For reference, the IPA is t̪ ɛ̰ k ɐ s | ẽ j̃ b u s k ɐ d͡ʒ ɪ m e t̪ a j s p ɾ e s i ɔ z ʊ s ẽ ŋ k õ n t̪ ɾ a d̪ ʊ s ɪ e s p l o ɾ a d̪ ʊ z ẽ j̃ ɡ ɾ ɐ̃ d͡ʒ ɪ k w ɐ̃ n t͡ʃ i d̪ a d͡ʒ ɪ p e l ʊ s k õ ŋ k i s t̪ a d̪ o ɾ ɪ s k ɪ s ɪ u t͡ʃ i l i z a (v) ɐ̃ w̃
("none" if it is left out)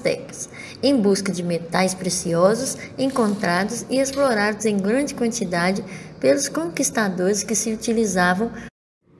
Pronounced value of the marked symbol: v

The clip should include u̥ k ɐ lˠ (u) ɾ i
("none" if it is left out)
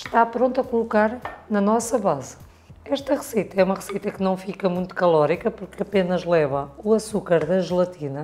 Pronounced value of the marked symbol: ɔ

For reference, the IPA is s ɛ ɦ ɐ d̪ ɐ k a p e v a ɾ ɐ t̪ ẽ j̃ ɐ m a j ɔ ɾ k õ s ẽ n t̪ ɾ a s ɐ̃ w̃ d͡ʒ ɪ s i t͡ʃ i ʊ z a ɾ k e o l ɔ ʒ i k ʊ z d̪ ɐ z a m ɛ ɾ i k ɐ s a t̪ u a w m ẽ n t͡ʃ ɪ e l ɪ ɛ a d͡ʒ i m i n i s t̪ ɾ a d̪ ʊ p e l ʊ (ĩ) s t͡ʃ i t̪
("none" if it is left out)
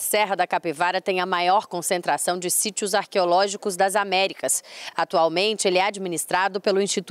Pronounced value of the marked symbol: ĩ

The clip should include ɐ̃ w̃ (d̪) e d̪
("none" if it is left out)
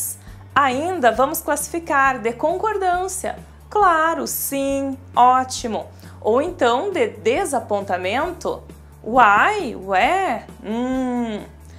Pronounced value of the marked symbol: d̪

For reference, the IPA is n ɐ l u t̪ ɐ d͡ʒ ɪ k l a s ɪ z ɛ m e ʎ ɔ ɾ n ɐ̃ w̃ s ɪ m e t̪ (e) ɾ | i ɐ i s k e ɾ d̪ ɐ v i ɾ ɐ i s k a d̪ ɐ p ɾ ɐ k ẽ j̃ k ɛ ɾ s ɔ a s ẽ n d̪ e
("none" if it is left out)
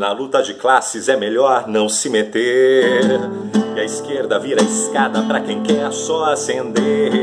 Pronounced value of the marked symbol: e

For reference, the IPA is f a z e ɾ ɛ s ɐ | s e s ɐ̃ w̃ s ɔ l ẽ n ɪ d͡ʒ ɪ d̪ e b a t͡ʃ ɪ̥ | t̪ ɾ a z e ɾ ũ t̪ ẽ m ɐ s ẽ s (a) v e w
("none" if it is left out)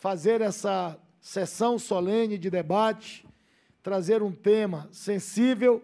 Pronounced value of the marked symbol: i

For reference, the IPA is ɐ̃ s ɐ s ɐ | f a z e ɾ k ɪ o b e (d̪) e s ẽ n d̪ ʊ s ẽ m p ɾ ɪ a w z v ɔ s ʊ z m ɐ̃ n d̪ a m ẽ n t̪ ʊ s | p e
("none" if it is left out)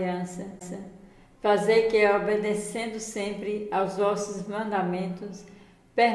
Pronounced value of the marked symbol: d̪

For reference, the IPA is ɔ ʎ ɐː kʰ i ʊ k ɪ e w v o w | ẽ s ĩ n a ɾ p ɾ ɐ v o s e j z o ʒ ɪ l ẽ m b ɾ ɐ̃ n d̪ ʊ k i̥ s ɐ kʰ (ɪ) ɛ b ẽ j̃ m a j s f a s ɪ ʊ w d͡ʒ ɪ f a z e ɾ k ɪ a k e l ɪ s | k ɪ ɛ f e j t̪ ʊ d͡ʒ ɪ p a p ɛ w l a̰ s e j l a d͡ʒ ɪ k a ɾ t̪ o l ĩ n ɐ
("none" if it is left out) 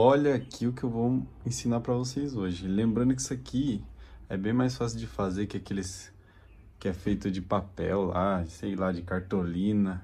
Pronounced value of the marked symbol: i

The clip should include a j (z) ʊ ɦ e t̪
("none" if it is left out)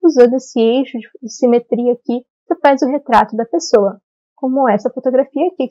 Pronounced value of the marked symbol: z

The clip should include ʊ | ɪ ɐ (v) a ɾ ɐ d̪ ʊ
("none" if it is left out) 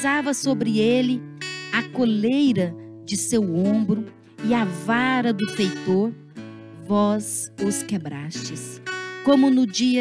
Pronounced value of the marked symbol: v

